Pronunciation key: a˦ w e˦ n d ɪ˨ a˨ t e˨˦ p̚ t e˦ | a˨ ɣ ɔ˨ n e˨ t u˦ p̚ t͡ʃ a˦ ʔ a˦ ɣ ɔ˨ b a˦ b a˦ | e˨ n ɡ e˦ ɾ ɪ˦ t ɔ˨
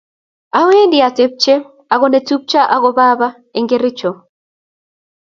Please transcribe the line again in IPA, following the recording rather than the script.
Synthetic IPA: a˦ w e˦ n d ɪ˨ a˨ t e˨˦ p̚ t͡ʃ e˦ | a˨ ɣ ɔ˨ n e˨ t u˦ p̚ t͡ʃ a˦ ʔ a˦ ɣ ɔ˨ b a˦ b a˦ | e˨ ŋ ɡ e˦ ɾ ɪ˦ t͡ʃ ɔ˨